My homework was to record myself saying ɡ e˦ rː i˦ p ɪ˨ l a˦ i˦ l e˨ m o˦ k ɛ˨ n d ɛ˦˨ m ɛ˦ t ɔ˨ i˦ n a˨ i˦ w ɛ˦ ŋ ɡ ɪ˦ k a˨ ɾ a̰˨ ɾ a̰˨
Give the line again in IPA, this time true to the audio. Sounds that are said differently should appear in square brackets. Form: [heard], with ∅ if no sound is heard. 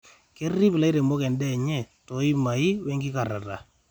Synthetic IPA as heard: [k] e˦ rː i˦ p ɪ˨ l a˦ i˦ [ɾ] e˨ m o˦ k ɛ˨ n d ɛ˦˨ [ɲ] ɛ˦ t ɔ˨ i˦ [m] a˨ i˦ w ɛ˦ ŋ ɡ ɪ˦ k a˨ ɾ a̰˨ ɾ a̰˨